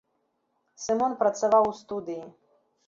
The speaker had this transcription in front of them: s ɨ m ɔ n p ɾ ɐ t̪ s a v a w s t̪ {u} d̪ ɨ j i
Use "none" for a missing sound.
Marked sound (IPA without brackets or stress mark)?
u